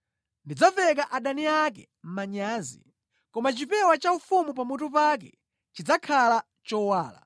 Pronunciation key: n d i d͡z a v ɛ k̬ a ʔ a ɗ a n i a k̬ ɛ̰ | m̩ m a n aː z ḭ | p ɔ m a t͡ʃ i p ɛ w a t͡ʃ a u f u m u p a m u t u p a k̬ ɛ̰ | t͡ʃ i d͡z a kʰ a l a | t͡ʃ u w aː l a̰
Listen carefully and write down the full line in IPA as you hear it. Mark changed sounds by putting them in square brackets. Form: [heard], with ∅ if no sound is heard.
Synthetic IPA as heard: n d i d͡z a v ɛ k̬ a ʔ a ɗ a n i a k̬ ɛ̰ | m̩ m a [ɲ] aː z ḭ | [k] ɔ m a t͡ʃ i p ɛ w a t͡ʃ a u f u m u p a m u t u p a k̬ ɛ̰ | t͡ʃ i d͡z a kʰ a l a | t͡ʃ [ɔ] w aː l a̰